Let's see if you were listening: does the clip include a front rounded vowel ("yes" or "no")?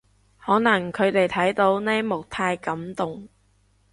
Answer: no